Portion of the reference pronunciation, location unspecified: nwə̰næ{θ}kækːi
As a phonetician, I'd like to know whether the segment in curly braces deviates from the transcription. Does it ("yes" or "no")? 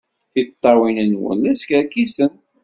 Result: yes